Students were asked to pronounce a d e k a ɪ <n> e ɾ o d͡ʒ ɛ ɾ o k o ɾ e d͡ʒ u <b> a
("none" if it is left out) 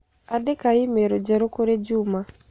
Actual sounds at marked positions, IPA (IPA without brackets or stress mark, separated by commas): m, m